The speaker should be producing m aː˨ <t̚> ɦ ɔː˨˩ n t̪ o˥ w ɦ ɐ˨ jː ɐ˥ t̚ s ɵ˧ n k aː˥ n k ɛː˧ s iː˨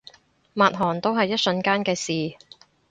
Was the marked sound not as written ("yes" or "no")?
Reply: no